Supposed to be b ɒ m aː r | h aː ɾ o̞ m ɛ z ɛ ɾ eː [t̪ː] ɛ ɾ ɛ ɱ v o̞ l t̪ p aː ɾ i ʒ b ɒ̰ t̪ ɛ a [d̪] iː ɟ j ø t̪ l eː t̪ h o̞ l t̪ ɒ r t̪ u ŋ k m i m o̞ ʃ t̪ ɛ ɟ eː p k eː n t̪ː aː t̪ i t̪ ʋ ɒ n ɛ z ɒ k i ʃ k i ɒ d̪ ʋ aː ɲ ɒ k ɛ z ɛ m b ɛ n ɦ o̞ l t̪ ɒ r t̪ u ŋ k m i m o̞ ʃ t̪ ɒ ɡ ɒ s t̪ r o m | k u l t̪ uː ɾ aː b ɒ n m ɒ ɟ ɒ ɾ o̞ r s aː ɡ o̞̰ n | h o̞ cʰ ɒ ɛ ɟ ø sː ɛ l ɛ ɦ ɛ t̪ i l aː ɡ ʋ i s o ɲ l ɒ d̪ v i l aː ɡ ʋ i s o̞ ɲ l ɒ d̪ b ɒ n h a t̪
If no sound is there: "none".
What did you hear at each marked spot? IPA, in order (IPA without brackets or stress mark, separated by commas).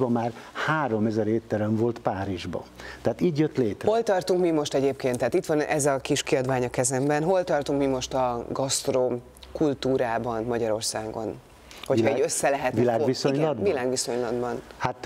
t̪ː, t̪